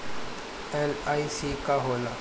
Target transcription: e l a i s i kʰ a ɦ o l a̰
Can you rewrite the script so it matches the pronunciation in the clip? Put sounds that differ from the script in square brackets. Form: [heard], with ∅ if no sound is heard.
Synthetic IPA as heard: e l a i s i [k] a ɦ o l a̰